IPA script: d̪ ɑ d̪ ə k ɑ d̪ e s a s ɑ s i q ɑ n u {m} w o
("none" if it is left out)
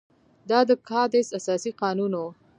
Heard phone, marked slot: n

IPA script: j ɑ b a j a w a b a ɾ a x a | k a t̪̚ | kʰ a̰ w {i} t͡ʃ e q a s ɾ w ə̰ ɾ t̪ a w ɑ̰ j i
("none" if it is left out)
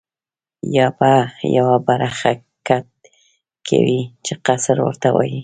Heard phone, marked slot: i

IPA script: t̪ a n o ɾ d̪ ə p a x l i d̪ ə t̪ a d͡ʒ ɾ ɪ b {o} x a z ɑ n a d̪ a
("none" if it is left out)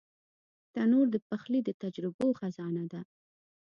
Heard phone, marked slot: o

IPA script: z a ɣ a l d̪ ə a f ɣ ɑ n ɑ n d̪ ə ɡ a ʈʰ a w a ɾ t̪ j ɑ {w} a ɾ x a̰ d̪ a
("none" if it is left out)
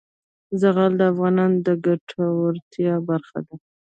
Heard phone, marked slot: b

